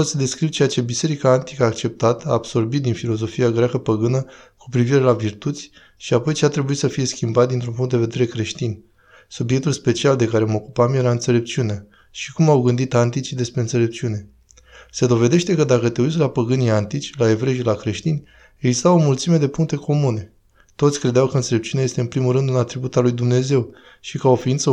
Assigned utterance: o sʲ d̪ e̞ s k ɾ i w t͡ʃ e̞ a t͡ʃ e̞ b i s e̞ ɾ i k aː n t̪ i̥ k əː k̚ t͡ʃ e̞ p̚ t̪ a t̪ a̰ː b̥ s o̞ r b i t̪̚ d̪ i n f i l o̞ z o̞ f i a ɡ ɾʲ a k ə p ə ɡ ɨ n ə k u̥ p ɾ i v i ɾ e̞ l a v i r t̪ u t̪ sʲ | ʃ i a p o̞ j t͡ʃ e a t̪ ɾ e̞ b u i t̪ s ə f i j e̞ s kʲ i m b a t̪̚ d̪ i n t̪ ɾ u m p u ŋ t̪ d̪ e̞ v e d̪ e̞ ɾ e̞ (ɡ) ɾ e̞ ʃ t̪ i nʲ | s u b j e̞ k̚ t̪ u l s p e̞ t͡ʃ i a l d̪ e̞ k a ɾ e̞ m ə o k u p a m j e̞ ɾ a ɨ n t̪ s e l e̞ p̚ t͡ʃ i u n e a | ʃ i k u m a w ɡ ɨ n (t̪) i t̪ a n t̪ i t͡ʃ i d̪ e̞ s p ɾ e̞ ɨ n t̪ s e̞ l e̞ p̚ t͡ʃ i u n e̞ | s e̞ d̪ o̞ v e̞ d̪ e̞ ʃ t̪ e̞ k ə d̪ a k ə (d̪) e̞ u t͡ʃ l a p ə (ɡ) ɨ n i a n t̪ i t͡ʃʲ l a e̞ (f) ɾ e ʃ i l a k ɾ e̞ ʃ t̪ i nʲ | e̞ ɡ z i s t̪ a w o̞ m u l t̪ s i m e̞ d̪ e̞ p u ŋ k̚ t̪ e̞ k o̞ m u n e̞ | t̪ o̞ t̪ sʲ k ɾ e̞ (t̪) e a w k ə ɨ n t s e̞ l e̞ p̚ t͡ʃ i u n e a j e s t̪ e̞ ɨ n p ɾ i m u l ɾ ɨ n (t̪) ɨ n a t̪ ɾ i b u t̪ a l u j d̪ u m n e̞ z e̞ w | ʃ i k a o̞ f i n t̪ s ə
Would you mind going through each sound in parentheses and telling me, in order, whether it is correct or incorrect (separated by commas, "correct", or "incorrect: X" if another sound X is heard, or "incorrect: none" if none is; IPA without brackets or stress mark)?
incorrect: k, incorrect: d̪, incorrect: t̪, correct, incorrect: v, incorrect: d̪, incorrect: d̪